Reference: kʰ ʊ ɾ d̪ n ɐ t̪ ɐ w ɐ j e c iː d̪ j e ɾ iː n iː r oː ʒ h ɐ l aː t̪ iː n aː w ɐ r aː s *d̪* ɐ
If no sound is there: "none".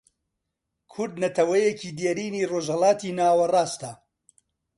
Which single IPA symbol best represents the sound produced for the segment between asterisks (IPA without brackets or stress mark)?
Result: t̪